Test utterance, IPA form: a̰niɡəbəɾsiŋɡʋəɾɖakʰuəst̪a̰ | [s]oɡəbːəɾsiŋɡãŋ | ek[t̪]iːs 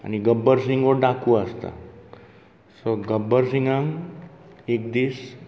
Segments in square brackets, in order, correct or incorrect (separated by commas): correct, incorrect